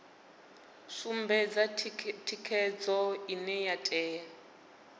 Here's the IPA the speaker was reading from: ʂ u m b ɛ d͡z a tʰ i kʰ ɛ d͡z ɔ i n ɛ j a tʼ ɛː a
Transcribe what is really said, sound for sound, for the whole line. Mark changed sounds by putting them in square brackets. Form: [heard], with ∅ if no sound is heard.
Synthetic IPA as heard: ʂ u m b ɛ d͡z a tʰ i kʰ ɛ d͡z ɔ i n ɛ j a tʼ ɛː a